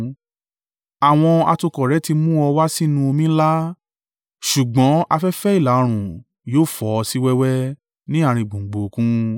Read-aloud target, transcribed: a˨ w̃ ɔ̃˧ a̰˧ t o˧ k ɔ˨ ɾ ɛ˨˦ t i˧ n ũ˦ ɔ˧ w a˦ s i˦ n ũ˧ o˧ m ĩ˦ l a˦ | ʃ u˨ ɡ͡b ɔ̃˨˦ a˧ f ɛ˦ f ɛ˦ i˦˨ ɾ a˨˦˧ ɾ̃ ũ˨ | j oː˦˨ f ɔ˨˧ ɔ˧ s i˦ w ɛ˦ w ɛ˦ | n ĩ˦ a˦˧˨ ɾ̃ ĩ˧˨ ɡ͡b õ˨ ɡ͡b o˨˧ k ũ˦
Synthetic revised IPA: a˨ w̃ ɔ̃˧ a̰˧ t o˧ k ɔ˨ ɾ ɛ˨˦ t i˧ m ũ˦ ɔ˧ w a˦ s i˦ n ũ˧ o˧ m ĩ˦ l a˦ | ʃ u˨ ɡ͡b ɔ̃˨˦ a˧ f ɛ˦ f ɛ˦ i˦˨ l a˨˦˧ ɾ̃ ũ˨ | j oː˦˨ f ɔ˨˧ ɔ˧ s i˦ w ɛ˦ w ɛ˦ | n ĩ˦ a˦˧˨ ɾ̃ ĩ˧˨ ɡ͡b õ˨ ɡ͡b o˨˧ k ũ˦